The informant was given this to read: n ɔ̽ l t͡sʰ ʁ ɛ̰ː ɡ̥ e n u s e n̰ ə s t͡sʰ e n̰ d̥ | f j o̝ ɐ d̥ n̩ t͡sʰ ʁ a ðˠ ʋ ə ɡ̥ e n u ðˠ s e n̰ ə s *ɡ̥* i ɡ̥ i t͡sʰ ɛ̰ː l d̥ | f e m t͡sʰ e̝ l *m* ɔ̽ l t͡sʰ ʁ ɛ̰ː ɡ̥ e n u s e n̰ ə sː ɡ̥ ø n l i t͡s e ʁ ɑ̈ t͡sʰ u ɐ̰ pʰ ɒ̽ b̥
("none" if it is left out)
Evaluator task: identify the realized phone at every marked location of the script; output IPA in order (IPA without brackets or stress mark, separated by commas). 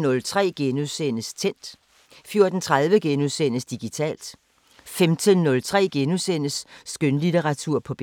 d̥, n